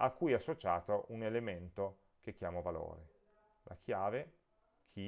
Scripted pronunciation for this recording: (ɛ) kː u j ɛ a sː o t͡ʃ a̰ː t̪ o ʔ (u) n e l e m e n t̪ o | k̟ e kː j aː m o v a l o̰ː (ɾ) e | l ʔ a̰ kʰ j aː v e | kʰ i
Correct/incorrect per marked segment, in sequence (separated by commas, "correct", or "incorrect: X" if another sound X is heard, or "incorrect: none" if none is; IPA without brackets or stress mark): incorrect: a, correct, correct